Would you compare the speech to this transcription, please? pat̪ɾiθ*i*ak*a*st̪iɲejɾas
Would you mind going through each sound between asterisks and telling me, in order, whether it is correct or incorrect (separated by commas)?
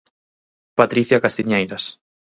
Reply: incorrect, correct